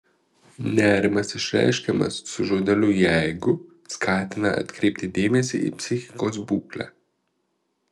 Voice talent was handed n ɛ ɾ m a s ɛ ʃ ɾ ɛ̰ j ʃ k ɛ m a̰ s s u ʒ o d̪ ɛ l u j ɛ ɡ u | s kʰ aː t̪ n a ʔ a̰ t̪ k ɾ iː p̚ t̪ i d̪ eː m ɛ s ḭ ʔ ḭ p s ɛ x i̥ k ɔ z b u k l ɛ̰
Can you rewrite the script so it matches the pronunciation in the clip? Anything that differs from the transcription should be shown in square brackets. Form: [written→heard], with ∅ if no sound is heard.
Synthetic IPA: n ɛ ɾ m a s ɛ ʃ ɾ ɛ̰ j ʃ k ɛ m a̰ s s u ʒ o d̪ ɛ l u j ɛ ɡ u | s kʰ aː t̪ n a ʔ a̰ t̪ k ɾ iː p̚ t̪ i d̪ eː m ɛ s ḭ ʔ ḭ p s [ɛ→i] x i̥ k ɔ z b u k l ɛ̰